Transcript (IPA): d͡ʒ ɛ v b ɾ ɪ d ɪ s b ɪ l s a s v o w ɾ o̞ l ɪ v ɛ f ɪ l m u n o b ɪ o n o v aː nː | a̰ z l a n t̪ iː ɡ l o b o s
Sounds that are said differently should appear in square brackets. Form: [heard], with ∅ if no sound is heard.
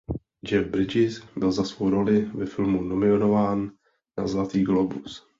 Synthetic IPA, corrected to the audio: d͡ʒ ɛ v b ɾ ɪ [d͡ʒ] ɪ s b ɪ l [z] a s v o w ɾ o̞ l ɪ v ɛ f ɪ l m u n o [m] ɪ o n o v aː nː | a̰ z l a [∅] t̪ iː ɡ l o b [u] s